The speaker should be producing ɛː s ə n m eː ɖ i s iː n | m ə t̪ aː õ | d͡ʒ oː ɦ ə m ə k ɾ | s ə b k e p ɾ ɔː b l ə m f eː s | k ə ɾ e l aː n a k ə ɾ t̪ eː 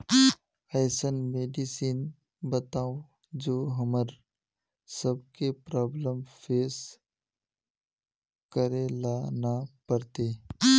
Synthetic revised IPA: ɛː s ə n m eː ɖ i s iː n | b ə t̪ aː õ | d͡ʒ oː ɦ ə m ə ɾ | s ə b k e p ɾ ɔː b l ə m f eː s | k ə ɾ e l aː n a p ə ɾ t̪ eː